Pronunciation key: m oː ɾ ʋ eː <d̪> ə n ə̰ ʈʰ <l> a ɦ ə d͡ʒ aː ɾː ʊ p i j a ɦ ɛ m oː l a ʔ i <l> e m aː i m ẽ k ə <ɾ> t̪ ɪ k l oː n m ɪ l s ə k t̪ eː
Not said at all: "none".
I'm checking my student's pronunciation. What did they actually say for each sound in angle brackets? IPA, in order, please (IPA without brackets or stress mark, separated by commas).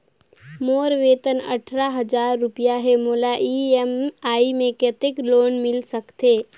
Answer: t̪, ɾ, none, none